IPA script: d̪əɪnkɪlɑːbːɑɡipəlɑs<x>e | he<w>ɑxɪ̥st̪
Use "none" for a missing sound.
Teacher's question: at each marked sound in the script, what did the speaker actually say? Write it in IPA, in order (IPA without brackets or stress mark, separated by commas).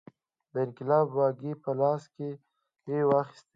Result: k, w